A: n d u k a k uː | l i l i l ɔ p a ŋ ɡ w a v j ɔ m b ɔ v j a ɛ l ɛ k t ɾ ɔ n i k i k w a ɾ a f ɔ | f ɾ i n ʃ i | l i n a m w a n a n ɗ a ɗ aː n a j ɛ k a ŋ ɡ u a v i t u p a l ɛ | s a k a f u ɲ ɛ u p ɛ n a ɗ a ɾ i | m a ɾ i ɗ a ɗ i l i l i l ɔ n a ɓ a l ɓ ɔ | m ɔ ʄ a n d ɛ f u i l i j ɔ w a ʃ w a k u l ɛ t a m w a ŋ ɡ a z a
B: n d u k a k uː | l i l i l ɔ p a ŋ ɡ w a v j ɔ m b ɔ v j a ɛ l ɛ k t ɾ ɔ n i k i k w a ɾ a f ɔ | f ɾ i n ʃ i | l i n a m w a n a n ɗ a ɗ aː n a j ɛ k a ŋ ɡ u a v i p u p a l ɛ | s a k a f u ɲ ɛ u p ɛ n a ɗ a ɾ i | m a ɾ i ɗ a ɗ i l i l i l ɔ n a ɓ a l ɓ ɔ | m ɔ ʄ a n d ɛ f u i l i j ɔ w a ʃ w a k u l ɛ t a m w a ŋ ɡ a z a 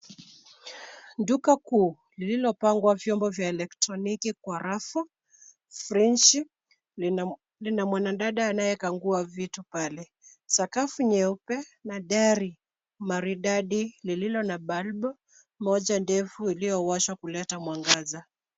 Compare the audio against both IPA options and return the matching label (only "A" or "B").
A